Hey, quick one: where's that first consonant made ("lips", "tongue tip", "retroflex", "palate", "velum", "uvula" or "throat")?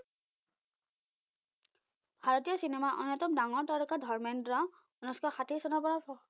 lips